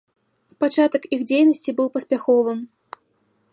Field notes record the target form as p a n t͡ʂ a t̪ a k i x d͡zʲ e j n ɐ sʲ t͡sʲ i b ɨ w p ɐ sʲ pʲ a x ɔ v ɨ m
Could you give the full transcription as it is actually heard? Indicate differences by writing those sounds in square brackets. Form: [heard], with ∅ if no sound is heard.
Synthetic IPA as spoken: p a [∅] t͡ʂ a t̪ [ɐ] k i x d͡zʲ e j n ɐ sʲ t͡sʲ i b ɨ w p ɐ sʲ pʲ a x ɔ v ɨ m

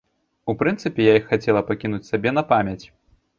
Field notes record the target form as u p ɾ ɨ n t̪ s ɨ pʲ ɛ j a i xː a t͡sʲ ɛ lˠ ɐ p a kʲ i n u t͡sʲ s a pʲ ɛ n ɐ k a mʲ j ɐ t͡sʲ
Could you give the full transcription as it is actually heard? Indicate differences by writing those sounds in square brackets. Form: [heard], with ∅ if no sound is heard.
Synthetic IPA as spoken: u p ɾ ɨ n t̪ s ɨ pʲ ɛ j a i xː a t͡sʲ ɛ lˠ ɐ p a kʲ i n u t͡sʲ s a [bʲ] ɛ n ɐ [p] a mʲ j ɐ t͡sʲ

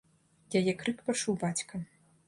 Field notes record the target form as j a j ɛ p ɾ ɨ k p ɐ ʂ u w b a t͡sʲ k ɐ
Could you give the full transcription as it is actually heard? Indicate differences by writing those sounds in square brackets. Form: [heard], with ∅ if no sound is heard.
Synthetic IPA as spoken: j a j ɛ [k] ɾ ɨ k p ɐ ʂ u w b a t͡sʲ k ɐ

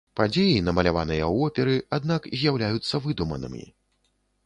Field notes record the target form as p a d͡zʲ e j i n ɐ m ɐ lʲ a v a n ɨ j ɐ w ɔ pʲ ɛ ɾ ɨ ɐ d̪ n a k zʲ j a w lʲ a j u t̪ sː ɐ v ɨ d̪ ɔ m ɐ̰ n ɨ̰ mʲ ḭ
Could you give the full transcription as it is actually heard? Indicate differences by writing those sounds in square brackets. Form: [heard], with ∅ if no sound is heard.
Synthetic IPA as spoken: p a d͡zʲ e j i n ɐ m ɐ lʲ a v a n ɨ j ɐ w ɔ pʲ ɛ ɾ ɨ [a] d̪ n a k zʲ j a w lʲ a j u t̪ sː ɐ v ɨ d̪ [u] m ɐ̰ n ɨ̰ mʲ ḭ

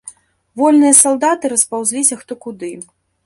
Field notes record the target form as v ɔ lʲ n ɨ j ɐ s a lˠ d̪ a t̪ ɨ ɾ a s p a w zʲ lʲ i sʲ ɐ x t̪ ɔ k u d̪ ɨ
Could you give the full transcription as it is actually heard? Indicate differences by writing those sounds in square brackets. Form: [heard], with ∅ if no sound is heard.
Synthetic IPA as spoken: v ɔ lʲ n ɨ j ɐ s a lˠ d̪ a t̪ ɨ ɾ [ɐ] s p a w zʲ lʲ i sʲ ɐ x t̪ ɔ k u d̪ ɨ

